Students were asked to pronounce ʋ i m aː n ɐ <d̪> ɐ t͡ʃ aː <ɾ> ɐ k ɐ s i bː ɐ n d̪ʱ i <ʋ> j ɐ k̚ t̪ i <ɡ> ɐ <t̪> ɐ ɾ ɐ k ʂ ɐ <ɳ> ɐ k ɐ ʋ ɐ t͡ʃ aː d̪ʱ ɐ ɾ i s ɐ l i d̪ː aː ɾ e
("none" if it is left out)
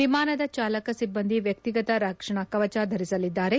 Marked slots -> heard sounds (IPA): d̪, l, ʋ, ɡ, t̪, ɳ

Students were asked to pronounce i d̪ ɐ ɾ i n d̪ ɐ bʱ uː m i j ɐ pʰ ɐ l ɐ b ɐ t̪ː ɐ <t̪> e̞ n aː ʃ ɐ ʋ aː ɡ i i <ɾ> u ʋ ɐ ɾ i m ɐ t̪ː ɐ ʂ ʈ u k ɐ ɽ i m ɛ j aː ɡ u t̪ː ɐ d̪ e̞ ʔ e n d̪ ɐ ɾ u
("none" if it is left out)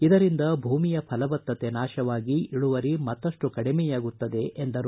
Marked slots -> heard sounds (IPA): t̪, ɭ

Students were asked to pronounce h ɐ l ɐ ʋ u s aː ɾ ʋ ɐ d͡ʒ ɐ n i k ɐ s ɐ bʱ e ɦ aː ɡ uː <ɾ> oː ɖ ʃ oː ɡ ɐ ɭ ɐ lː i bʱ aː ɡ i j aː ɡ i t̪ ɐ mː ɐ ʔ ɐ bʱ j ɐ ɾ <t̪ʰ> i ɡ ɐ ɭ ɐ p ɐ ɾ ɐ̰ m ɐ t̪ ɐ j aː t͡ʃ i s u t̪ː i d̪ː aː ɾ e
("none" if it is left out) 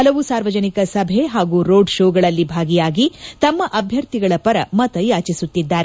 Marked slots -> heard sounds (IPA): ɾ, t̪

